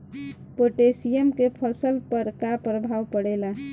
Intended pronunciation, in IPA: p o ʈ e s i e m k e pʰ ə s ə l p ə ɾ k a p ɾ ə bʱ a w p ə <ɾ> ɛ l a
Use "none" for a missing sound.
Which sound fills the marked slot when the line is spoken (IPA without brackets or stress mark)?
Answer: ɽ